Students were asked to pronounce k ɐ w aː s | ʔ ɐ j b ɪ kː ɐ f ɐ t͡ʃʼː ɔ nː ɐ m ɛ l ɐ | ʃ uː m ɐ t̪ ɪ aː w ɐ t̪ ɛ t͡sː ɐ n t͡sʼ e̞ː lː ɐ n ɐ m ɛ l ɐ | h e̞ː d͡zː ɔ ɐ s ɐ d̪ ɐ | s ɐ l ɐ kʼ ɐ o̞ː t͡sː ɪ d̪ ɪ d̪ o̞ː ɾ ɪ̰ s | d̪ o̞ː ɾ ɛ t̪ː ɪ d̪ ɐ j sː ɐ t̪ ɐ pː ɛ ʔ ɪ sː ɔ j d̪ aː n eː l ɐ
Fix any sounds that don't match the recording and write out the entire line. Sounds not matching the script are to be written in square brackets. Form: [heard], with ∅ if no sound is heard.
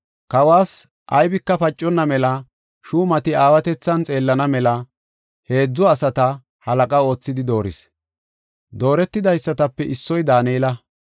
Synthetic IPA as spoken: k ɐ w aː s | ʔ ɐ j b ɪ kː ɐ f ɐ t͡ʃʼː ɔ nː ɐ m ɛ l ɐ | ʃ uː m ɐ t̪ ɪ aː w ɐ t̪ ɛ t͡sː ɐ n t͡sʼ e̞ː lː ɐ n ɐ m ɛ l ɐ | h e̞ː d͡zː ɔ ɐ s ɐ [t̪] ɐ | [h] ɐ l ɐ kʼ ɐ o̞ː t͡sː ɪ d̪ ɪ d̪ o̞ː ɾ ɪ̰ s | d̪ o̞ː ɾ ɛ t̪ː ɪ d̪ ɐ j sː ɐ t̪ ɐ pː ɛ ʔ ɪ sː ɔ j d̪ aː n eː l ɐ